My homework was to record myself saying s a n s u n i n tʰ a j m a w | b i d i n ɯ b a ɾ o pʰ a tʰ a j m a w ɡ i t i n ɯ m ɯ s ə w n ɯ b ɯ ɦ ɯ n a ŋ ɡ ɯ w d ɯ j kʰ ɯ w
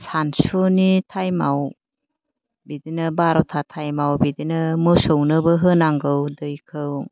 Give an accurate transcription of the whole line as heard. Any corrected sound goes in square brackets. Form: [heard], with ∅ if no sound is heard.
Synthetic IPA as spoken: s a n s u n i [∅] tʰ a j m a w | b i d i n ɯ b a ɾ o [tʰ] a tʰ a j m a w [b] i [d] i n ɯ m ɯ s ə w n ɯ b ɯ ɦ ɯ n a ŋ ɡ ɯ w d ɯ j kʰ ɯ w